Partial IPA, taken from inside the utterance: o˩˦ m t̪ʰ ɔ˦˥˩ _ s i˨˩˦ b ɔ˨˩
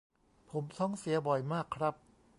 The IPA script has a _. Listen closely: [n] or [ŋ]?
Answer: ŋ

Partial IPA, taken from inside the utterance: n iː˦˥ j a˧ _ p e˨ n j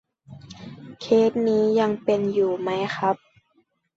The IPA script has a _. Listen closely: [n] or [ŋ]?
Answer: ŋ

